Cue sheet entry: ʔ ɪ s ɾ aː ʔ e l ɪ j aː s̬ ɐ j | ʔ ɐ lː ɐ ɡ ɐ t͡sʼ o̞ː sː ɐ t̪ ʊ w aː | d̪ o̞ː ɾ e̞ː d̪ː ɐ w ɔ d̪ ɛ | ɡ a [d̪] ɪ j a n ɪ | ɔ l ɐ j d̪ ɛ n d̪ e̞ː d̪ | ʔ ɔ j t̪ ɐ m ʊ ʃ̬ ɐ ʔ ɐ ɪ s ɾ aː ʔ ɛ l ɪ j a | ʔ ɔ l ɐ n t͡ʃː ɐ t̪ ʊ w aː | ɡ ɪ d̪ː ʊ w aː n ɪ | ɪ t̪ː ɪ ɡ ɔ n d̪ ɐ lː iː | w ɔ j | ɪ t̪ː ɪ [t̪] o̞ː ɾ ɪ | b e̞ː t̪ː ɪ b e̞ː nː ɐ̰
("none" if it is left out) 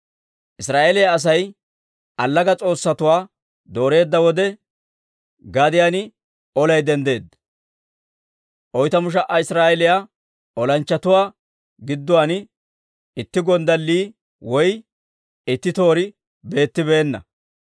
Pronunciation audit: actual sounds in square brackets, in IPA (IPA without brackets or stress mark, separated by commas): d̪, t̪